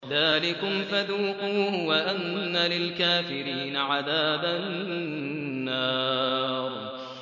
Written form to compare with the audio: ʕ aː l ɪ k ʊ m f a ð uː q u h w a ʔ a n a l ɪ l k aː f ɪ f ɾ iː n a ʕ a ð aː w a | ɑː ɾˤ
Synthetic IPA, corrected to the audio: ð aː l ɪ k ʊ m f a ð uː q uː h w a ʔ a nː a l ɪ l k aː f ɪ ɾ iː n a ʕ a ð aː b a | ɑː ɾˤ